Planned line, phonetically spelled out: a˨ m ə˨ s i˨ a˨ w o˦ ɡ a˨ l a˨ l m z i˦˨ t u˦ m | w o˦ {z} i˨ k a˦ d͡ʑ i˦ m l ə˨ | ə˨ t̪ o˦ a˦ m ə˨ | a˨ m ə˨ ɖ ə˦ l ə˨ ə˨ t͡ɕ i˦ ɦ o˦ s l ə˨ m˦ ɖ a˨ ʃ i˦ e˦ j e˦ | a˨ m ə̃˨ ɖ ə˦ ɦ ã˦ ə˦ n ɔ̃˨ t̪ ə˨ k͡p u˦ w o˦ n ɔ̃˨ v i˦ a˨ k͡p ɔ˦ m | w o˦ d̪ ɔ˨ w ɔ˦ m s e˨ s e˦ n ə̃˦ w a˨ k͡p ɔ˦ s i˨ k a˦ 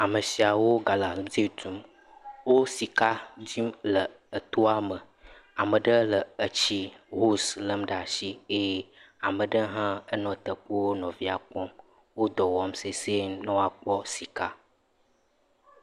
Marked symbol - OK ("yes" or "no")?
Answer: no